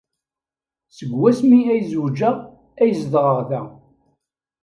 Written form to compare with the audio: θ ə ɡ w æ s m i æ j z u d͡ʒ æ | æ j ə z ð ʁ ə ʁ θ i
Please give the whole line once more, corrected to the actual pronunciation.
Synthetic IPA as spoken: s ə ɡ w æ s m i æ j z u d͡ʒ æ | æ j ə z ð ʁ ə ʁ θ æ